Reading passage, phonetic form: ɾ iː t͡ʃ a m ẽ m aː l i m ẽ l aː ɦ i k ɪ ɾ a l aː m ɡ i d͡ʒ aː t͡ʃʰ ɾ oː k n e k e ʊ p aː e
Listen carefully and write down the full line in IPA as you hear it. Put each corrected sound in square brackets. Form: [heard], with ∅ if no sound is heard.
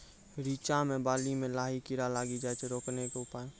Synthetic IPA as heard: ɾ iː t͡ʃ a m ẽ [b] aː l i m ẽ l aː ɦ i k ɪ ɾ a l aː [∅] ɡ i d͡ʒ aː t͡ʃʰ ɾ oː k n e k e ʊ p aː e